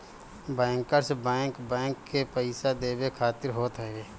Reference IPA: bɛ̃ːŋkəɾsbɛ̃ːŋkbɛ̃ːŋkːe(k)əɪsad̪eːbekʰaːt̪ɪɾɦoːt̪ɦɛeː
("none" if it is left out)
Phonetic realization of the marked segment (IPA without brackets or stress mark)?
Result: p